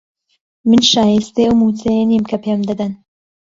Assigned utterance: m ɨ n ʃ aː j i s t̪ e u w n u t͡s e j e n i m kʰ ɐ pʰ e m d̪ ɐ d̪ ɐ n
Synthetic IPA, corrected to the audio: m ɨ n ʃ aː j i s t̪ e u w m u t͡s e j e n i m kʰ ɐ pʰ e m d̪ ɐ d̪ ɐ n